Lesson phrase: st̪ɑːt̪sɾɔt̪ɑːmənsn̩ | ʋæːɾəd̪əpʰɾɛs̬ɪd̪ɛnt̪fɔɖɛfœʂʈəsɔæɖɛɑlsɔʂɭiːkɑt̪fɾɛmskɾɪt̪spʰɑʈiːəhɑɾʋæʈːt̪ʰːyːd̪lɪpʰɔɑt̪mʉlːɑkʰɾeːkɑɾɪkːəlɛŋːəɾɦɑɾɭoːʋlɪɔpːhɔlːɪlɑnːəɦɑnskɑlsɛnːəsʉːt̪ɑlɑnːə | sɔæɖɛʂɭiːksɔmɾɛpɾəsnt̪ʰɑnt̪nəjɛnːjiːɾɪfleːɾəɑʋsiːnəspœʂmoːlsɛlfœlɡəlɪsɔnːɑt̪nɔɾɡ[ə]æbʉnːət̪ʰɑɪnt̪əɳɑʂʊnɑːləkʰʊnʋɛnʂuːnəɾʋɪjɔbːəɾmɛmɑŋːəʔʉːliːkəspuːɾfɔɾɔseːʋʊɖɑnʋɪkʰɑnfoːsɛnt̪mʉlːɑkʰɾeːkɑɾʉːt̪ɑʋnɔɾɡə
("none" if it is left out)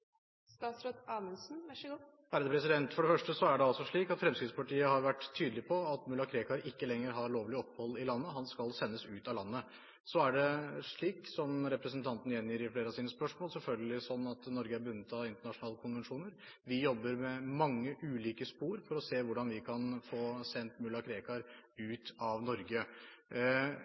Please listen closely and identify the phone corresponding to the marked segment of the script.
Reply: ə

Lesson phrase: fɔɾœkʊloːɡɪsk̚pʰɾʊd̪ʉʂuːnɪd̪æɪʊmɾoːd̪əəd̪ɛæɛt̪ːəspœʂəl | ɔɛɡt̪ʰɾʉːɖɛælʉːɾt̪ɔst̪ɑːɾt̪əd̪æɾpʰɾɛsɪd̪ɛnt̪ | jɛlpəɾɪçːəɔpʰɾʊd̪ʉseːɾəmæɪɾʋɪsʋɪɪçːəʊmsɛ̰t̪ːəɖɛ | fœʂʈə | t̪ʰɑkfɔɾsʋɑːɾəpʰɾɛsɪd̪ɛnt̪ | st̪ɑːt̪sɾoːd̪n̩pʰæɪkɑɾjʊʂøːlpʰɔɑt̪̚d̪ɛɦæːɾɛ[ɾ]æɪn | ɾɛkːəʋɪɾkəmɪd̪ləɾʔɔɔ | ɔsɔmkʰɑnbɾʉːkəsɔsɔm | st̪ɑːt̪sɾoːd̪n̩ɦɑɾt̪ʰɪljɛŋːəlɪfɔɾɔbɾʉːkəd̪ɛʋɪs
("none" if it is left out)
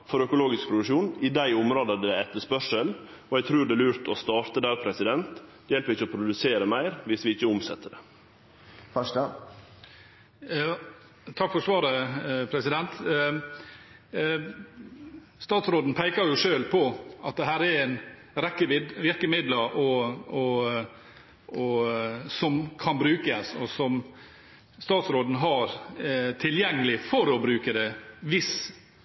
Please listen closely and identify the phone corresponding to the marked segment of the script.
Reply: ɾ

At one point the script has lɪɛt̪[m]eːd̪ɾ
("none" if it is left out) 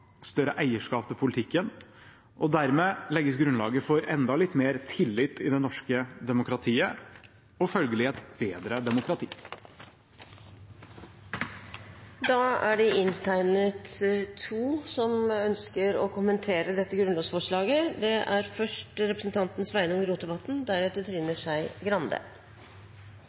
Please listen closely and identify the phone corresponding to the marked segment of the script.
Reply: b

